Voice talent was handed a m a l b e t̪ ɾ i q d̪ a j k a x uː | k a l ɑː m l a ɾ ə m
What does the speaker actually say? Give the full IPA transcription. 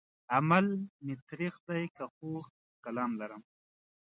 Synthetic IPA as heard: a m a l m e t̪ ɾ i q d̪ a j k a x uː | k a l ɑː m l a ɾ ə m